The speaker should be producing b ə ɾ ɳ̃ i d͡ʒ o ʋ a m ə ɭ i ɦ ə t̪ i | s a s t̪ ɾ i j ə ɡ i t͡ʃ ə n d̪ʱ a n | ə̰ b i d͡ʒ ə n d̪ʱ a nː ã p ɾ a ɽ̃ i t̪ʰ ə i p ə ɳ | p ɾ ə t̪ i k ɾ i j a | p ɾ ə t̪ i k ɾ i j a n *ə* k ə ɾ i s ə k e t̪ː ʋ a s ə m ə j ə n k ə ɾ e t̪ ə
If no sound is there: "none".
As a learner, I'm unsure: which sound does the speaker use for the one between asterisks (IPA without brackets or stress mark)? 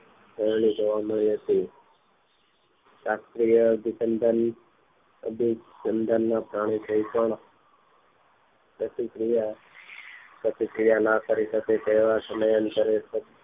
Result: a